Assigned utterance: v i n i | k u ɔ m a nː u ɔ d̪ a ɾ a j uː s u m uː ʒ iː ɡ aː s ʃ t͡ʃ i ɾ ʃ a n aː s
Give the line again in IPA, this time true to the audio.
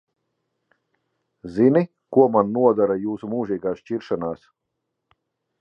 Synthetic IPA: z i n i | k u ɔ m a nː u ɔ d̪ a ɾ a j uː s u m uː ʒ iː ɡ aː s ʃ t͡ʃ i ɾ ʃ a n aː s

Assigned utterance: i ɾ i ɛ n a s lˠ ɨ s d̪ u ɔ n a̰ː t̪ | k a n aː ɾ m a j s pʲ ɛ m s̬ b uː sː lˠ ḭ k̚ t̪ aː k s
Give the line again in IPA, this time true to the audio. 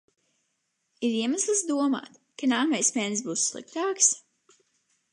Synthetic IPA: i ɾ i ɛ m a s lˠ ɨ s d̪ u ɔ m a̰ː t̪ | k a n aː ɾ m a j s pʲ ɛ n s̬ b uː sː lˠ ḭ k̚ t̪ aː k s

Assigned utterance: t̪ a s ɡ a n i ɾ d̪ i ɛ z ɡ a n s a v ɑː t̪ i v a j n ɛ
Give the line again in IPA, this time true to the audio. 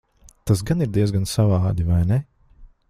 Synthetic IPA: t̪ a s ɡ a n i ɾ d̪ i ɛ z ɡ a n s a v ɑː d̪ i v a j n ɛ

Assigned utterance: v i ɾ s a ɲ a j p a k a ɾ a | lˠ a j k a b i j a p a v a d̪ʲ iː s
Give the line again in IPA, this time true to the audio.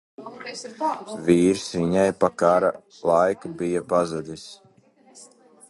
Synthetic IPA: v iː ɾ s i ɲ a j p a k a ɾ a | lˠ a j k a b i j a p a z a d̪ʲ i s

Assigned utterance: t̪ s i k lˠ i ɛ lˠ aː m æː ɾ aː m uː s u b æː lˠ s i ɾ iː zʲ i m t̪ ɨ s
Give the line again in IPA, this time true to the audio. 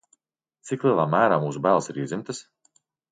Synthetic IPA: t̪ s i k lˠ i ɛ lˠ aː m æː ɾ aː m uː s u b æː lˠ s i ɾ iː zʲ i m t̪ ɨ s

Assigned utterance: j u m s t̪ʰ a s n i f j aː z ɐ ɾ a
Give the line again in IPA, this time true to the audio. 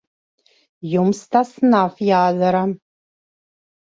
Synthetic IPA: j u m s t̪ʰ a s n a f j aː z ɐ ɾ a

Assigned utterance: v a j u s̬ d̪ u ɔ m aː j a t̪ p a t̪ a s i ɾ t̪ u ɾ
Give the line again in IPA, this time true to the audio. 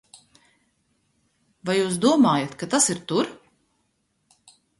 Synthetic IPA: v a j uː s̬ d̪ u ɔ m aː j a t̪ k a t̪ a s i ɾ t̪ u ɾ

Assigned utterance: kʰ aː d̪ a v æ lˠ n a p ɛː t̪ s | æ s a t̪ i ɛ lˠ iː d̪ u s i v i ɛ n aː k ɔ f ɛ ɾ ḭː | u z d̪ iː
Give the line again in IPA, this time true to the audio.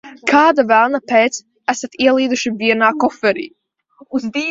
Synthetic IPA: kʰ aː d̪ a v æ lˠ n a p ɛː t̪ s | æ s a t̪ i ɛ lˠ iː d̪ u ʃ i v i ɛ n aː k ɔ f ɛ ɾ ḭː | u z d̪ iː

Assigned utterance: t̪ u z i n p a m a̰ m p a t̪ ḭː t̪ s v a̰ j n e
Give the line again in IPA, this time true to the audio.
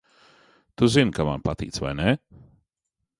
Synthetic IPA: t̪ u z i n k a m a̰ n p a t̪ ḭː t̪ s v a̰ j n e

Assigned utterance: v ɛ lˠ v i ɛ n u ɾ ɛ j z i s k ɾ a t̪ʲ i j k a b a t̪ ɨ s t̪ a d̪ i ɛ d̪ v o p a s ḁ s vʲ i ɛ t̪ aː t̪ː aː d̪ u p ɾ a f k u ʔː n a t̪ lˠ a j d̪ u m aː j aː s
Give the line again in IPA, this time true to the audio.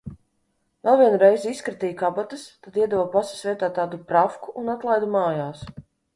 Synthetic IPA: v ɛ lˠ v i ɛ n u ɾ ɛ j z i s k ɾ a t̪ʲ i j k a b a t̪ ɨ s t̪ a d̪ i ɛ d̪ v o p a s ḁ s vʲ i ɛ t̪ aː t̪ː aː d̪ u p ɾ a f k u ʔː n a t̪ lˠ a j d̪ u m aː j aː s

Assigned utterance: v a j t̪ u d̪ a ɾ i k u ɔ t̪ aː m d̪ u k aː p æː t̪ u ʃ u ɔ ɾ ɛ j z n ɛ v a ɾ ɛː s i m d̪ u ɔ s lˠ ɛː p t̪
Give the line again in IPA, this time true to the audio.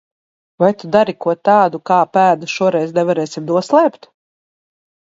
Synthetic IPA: v a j t̪ u d̪ a ɾ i k u ɔ t̪ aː d̪ u k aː p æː d̪ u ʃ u ɔ ɾ ɛ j z n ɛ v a ɾ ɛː s i m d̪ u ɔ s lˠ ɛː p t̪

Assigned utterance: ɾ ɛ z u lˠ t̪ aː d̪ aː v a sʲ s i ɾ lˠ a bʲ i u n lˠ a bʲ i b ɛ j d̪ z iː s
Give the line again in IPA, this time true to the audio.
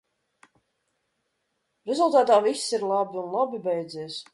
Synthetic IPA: ɾ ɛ z u lˠ t̪ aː t̪ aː v i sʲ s i ɾ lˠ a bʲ i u n lˠ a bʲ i b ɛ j d̪ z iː s

